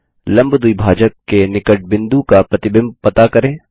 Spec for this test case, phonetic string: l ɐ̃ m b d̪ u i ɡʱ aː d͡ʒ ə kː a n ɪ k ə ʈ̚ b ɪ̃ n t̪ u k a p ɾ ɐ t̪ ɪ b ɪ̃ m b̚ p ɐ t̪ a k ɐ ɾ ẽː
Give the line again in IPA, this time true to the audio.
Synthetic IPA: l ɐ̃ m b d̪ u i bʱ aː d͡ʒ ə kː e n ɪ k ə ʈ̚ b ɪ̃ n d̪ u k a p ɾ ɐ t̪ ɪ b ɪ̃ m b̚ p ɐ t̪ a k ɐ ɾ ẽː